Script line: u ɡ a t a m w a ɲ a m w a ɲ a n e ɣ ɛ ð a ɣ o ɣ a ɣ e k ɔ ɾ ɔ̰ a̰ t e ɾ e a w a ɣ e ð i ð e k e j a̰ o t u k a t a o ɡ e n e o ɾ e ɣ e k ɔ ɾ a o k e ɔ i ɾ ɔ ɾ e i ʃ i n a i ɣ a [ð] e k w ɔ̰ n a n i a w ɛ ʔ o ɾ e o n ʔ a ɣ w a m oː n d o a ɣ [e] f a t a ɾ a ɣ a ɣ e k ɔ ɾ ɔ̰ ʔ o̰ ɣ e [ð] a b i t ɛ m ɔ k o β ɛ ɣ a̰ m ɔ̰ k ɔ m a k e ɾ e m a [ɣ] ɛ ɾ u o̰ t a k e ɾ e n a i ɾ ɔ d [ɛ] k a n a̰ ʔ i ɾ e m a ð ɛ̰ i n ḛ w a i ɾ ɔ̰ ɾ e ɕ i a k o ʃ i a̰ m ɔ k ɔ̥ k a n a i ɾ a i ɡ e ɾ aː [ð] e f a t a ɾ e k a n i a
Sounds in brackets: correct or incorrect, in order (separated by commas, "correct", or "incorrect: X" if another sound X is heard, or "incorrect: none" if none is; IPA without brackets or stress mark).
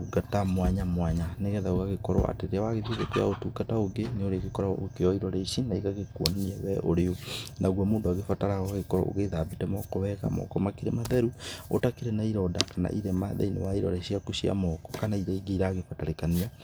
incorrect: ɣ, correct, correct, incorrect: ð, incorrect: a, incorrect: ɣ